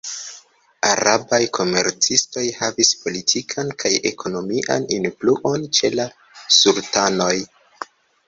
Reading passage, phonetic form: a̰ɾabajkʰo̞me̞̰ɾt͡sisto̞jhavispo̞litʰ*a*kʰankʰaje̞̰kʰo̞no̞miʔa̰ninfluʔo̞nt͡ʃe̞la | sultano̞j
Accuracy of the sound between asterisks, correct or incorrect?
incorrect